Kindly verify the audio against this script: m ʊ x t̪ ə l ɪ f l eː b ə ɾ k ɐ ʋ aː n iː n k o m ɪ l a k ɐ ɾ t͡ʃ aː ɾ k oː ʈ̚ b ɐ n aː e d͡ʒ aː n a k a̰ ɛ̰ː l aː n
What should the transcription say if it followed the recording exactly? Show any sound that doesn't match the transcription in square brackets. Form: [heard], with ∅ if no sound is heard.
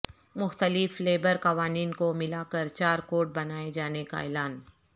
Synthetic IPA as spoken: m ʊ x t̪ ə l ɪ f l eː b ə ɾ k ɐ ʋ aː n iː n k o m ɪ l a k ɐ ɾ t͡ʃ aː ɾ k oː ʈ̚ b ɐ n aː e d͡ʒ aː n [e] k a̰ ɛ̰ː l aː n